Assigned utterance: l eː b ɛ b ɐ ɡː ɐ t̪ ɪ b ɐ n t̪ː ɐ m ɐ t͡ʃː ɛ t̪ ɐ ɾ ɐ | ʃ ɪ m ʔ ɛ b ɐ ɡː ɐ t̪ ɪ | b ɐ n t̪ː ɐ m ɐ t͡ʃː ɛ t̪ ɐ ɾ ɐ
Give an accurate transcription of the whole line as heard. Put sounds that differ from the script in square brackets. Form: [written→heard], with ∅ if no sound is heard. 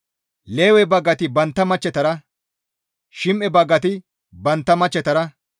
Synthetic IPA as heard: l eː [b→w] ɛ b ɐ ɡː ɐ t̪ ɪ b ɐ n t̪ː ɐ m ɐ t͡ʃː ɛ t̪ ɐ ɾ ɐ | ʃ ɪ m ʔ ɛ b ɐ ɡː ɐ t̪ ɪ | b ɐ n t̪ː ɐ m ɐ t͡ʃː ɛ t̪ ɐ ɾ ɐ